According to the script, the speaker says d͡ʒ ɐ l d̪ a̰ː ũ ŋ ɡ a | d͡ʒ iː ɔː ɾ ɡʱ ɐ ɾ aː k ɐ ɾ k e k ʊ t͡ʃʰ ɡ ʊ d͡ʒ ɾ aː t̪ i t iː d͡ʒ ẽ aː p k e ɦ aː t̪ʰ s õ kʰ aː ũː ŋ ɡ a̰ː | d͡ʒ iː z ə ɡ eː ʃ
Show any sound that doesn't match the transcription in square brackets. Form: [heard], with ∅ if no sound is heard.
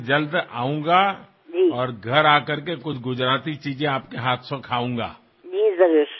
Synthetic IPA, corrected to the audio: d͡ʒ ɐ l d̪ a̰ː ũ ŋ ɡ a | d͡ʒ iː ɔː ɾ ɡʱ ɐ ɾ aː k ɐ ɾ k e k ʊ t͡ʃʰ ɡ ʊ d͡ʒ ɾ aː t̪ i [t͡ʃ] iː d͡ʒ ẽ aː p k e ɦ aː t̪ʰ s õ kʰ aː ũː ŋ ɡ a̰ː | d͡ʒ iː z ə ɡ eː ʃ